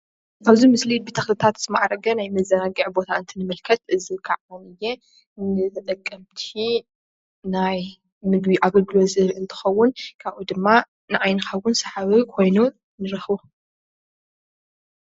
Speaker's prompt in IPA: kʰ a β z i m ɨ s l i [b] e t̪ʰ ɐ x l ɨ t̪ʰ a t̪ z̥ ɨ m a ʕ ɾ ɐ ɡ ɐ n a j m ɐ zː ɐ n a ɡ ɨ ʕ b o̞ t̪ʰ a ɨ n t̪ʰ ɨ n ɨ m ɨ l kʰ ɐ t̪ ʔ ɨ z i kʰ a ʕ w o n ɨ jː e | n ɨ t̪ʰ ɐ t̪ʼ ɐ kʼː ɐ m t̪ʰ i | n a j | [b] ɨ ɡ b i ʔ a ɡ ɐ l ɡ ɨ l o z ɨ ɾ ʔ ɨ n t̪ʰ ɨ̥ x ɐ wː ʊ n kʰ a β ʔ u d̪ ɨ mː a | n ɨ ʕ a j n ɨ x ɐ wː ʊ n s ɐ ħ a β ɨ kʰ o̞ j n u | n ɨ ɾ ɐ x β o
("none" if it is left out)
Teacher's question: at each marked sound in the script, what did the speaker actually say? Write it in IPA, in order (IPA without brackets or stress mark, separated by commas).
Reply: b, m